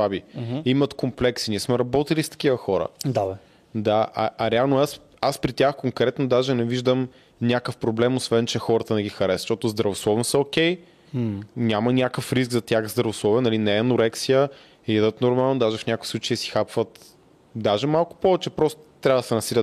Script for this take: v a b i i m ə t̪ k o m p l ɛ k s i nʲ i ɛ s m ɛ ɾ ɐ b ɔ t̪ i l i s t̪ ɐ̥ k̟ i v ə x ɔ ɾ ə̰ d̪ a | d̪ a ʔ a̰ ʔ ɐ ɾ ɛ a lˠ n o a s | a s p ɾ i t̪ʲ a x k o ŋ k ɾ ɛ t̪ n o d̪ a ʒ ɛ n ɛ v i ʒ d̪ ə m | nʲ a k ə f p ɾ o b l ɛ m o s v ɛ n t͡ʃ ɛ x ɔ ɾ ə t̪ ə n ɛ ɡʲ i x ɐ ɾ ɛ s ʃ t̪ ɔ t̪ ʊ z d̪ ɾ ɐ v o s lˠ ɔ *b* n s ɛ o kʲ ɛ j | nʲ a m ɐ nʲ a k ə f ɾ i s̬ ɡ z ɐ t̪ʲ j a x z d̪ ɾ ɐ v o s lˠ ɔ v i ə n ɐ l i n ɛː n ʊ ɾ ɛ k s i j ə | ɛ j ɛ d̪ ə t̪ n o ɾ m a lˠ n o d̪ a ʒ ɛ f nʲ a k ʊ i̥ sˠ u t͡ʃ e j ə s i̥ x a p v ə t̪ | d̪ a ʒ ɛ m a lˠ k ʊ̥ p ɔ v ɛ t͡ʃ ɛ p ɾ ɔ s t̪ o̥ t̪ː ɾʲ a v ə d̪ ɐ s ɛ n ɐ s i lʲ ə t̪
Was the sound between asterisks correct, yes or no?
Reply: no